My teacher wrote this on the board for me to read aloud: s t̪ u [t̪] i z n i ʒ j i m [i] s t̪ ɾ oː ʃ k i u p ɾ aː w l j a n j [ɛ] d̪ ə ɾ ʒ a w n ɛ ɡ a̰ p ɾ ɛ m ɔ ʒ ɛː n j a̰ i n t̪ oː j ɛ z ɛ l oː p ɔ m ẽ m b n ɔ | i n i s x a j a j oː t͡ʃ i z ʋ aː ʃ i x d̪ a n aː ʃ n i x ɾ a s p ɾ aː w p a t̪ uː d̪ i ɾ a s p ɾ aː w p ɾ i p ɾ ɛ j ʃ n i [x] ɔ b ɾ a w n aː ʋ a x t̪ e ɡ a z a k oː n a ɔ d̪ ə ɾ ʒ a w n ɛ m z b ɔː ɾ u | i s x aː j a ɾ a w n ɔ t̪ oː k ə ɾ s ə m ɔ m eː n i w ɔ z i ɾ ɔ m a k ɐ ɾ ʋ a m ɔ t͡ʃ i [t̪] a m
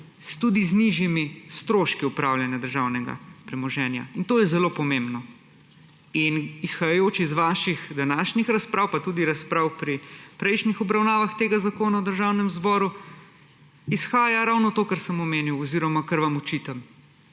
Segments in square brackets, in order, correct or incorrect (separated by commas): incorrect, correct, incorrect, correct, correct